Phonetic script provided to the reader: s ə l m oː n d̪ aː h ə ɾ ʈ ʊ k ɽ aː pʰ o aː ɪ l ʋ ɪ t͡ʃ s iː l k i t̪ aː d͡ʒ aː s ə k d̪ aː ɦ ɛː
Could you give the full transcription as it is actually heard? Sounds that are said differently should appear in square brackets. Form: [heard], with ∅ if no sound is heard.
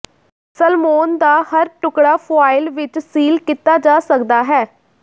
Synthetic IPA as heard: s ə l m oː n d̪ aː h ə ɾ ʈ ʊ k ɽ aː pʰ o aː ɪ l ʋ ɪ t͡ʃ s iː l k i t̪ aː d͡ʒ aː s ə k d̪ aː ɦ ɛː